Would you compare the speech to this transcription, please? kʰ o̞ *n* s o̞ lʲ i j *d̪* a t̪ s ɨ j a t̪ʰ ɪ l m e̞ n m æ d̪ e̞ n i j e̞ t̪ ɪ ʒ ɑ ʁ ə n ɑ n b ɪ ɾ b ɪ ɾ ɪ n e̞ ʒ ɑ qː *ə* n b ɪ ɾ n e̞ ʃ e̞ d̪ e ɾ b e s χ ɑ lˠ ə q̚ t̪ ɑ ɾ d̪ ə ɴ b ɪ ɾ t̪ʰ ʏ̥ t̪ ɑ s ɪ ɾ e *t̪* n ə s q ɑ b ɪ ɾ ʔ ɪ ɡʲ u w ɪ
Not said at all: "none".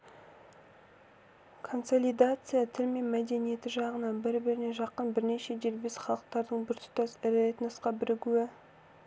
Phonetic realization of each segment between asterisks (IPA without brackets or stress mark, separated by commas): n, d̪, ə, t̪